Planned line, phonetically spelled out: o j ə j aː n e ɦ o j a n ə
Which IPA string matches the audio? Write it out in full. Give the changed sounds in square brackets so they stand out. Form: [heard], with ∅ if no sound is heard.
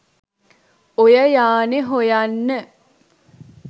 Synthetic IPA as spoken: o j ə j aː n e ɦ o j a [nː] ə